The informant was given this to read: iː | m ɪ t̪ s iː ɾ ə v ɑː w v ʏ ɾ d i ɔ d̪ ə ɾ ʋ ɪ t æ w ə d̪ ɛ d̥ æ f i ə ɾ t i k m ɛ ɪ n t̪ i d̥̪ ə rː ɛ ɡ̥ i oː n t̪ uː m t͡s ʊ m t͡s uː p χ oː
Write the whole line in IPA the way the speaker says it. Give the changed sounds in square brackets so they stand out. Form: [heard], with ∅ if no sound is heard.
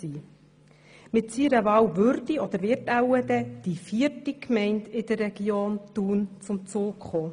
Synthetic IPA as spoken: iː | m ɪ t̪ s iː ɾ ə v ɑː w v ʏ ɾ d i ɔ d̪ ə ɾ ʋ ɪ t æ w ə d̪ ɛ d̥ [i] f i ə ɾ t i k m ɛ ɪ n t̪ [ɪ] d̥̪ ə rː ɛ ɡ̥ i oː n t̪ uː [n] t͡s ʊ m t͡s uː [k] χ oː